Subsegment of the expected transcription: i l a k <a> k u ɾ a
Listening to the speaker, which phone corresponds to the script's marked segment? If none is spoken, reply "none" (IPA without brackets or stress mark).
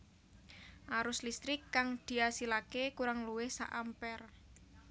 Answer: e